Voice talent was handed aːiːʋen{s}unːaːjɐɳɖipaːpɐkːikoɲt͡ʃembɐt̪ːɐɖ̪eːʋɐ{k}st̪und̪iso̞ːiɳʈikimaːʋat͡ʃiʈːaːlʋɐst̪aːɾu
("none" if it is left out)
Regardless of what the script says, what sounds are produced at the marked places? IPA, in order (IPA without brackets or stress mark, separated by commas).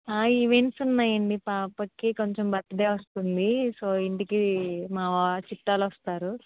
s, none